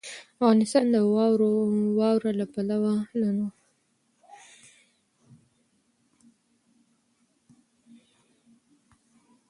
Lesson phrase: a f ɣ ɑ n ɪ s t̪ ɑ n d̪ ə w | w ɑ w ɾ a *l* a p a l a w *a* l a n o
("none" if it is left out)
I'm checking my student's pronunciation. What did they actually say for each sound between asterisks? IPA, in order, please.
l, a

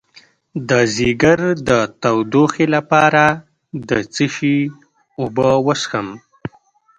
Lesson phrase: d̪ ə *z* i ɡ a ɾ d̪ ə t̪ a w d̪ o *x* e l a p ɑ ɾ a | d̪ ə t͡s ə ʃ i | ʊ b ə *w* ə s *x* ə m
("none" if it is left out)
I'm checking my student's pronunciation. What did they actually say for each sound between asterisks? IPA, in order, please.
z, x, w, x

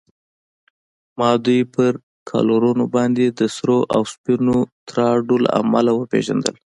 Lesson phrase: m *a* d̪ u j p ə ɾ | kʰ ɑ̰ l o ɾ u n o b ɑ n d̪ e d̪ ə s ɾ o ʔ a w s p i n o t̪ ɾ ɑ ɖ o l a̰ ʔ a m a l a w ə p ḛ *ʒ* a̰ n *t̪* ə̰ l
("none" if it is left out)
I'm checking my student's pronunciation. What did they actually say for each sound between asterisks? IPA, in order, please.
ɑ, ʒ, d̪

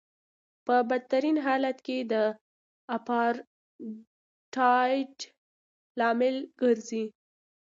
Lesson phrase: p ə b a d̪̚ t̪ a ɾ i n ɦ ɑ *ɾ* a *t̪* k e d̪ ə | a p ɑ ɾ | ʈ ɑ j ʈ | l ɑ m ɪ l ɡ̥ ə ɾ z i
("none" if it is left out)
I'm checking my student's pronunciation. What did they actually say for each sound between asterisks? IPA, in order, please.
l, t̪

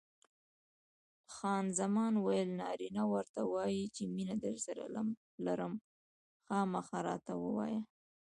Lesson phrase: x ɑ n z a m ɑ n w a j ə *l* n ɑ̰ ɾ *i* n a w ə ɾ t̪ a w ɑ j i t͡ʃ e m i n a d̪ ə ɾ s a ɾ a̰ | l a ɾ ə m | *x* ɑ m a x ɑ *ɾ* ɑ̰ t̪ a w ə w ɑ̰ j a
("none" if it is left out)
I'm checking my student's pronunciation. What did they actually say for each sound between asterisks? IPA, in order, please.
l, i, x, ɾ

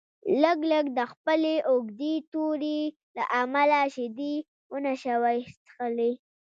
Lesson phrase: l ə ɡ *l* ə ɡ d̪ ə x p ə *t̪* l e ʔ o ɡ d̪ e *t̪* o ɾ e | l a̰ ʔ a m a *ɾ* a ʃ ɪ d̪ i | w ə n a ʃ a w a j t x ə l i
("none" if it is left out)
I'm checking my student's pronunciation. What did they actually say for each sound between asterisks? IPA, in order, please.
l, none, t̪, l

